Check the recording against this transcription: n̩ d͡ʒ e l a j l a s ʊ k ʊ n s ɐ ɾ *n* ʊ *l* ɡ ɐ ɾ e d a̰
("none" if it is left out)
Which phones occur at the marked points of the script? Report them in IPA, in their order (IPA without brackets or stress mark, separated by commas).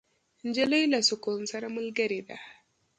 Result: m, l